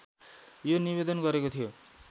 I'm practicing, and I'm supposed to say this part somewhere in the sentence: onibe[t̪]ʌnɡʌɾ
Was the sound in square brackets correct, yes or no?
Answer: no